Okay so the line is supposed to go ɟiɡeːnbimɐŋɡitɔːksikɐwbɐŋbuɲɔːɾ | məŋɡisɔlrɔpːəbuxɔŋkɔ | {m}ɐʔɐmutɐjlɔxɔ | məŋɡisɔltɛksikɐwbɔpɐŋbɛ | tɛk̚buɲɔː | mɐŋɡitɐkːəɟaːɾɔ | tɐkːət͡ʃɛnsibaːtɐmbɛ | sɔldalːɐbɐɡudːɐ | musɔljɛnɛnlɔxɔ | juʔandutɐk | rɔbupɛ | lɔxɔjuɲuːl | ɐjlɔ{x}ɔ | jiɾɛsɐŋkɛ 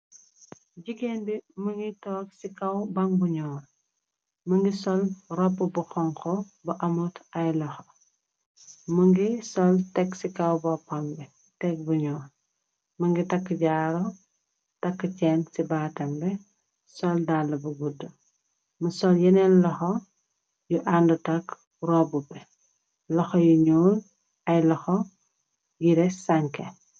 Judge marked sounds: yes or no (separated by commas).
no, yes